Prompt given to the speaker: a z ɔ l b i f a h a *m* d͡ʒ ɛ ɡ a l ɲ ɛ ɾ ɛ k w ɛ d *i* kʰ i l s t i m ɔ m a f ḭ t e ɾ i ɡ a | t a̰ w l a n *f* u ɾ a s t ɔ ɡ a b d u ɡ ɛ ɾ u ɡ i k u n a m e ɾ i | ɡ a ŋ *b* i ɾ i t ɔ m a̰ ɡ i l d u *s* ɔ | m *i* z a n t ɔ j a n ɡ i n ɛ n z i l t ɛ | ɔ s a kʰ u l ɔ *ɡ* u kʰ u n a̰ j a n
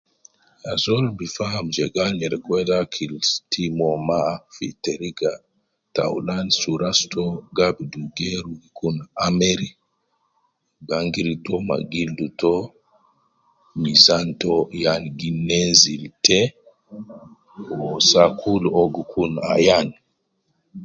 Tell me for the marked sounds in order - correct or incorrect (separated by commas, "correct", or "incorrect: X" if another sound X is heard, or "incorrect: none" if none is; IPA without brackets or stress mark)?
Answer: correct, incorrect: a, incorrect: s, incorrect: ɡ, incorrect: t, correct, correct